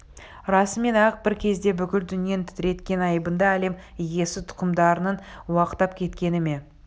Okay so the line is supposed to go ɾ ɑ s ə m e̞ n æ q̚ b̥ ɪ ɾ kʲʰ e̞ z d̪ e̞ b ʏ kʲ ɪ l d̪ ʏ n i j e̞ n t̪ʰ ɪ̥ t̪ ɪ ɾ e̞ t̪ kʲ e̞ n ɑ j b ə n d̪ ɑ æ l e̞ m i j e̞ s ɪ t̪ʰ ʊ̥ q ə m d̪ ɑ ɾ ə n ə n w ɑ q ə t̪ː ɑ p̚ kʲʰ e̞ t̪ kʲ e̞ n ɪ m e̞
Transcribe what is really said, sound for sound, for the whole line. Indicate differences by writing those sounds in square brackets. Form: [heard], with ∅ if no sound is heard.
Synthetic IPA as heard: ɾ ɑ s ə m e̞ n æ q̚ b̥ ɪ ɾ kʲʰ e̞ z d̪ e̞ b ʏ kʲ ɪ l d̪ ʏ n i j e̞ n t̪ʰ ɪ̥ t̪ ɪ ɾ e̞ t̪ kʲ e̞ n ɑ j b ə n d̪ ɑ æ l e̞ m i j e̞ s ɪ t̪ʰ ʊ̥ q ə m d̪ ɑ ɾ ə n ə n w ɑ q ə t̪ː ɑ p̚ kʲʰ e̞ t̪ kʲ e̞ n ɪ m e̞